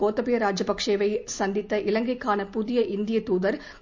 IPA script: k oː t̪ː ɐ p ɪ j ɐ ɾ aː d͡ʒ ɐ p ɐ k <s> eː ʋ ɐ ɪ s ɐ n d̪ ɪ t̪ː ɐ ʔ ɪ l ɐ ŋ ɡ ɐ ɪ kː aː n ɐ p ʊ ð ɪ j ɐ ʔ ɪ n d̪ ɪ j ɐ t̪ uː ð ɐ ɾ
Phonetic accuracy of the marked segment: incorrect: ʂ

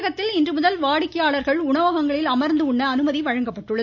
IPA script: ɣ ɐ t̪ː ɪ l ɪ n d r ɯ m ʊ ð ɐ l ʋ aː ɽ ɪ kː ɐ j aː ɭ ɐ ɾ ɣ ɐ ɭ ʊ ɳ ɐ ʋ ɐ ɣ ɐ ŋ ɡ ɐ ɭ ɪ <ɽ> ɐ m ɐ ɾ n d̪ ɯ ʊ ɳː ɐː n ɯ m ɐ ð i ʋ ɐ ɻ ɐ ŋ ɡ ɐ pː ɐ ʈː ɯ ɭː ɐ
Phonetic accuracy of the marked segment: incorrect: l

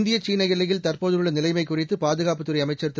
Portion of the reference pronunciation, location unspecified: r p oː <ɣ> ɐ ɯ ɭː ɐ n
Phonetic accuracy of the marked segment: incorrect: ð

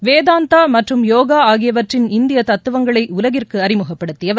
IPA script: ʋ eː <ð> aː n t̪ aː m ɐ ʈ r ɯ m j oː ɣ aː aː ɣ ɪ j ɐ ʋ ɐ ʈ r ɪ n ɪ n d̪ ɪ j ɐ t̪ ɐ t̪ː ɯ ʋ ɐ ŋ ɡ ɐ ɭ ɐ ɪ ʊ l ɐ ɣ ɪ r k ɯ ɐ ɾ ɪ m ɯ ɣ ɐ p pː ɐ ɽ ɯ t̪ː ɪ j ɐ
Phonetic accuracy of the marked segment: correct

